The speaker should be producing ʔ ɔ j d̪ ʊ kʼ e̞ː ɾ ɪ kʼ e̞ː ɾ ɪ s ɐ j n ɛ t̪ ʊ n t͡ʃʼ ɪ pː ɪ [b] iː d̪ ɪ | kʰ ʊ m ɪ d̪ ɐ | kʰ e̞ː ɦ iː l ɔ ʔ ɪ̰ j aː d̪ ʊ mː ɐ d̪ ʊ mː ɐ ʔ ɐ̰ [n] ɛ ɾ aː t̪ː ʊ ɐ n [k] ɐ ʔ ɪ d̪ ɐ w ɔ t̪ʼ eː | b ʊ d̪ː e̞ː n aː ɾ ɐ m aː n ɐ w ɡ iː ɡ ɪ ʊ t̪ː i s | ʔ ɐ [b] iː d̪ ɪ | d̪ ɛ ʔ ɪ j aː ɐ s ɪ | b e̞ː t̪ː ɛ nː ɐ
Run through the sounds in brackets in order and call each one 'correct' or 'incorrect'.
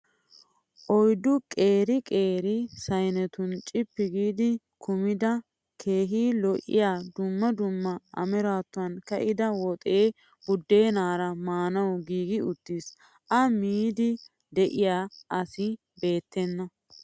incorrect, incorrect, correct, incorrect

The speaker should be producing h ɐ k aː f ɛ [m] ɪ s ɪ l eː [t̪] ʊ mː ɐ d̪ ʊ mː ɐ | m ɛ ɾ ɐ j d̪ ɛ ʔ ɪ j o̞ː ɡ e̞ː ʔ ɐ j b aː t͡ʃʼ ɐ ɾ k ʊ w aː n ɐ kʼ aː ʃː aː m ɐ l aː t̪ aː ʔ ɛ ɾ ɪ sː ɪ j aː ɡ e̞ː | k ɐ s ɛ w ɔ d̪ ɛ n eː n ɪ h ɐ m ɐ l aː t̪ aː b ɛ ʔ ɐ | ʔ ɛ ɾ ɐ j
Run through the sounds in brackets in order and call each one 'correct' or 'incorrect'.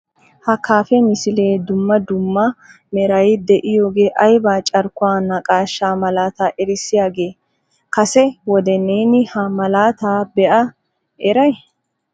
correct, incorrect

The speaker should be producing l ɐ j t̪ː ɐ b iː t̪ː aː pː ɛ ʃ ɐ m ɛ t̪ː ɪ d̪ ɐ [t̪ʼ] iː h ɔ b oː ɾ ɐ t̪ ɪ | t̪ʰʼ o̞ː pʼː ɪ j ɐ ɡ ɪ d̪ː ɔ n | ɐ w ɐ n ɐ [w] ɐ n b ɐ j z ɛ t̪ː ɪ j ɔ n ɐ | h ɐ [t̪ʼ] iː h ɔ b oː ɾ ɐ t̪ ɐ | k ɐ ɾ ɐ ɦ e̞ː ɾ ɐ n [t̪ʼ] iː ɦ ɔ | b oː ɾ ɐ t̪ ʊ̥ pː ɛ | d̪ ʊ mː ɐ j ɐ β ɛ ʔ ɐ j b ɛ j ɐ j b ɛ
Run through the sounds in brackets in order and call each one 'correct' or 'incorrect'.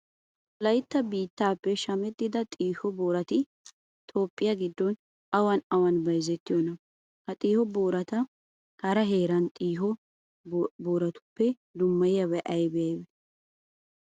correct, correct, correct, correct

